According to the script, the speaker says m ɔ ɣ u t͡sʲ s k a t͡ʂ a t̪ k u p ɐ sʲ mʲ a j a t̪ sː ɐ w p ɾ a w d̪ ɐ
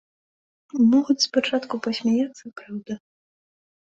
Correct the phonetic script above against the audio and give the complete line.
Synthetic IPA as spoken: m ɔ ɣ u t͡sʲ s p a t͡ʂ a t̪ k u p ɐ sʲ mʲ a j a t̪ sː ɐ p ɾ a w d̪ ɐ